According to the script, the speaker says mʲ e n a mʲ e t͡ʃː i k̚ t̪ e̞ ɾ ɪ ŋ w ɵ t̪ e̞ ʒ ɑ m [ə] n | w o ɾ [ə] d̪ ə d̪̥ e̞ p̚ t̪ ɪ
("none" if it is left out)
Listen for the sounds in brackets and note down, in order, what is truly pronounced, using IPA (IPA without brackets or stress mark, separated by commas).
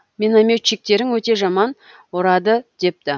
ɑ, ɑ